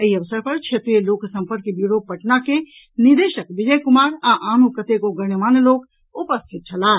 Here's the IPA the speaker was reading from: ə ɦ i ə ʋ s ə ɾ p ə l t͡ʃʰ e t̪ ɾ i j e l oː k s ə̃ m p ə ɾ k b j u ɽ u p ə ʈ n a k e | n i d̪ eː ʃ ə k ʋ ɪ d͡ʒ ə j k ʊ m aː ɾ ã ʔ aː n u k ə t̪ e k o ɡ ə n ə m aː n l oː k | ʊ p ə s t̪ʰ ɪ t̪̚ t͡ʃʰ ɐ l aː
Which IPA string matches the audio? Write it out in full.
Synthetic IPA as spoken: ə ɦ i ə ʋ s ə ɾ p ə ɾ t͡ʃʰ e t̪ ɾ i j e l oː k s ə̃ m p ə ɾ k b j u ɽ o p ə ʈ n a k e | n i d̪ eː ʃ ə k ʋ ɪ d͡ʒ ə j k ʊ m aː ɾ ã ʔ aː n u k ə t̪ e k o ɡ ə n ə m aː n l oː k | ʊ p ə s t̪ʰ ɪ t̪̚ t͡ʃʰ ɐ l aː

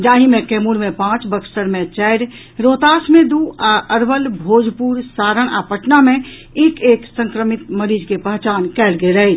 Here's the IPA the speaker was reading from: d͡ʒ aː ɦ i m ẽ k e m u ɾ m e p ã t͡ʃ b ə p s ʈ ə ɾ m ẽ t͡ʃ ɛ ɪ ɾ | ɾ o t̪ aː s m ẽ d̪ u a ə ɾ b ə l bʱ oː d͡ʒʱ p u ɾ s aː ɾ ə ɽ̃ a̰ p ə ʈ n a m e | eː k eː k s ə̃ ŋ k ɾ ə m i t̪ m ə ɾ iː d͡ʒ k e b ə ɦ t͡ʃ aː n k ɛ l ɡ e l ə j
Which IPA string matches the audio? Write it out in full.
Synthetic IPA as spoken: d͡ʒ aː ɦ i m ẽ k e m u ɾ m e p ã t͡ʃ b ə k s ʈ ə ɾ m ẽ t͡ʃ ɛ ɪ ɾ | ɾ o t̪ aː s m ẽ d̪ u a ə ɾ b ə l bʱ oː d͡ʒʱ p u ɾ s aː ɾ ə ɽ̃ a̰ p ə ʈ n a m e | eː k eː k s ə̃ ŋ k ɾ ə m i t̪ m ə ɾ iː d͡ʒ k e p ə ɦ t͡ʃ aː n k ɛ l ɡ e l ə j

